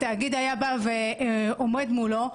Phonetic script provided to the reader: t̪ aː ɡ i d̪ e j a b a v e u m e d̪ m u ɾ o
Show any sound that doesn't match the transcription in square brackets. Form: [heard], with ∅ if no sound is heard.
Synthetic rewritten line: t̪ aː ɡ i d̪ [a] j a b a v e [o] m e d̪ m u [l] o